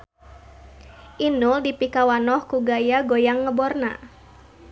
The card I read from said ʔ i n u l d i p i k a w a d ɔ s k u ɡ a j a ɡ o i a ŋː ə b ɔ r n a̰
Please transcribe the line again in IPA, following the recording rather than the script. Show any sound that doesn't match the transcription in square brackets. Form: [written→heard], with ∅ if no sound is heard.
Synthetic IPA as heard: ʔ i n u l d i p i k a w a [d→n] ɔ [s→h] k u ɡ a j a ɡ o [i→j] a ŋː ə b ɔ r n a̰